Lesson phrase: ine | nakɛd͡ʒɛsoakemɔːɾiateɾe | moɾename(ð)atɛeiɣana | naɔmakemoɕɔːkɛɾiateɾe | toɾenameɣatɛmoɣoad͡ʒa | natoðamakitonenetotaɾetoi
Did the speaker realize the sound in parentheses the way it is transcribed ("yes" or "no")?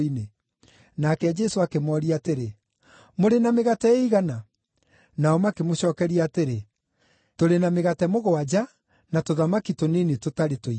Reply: no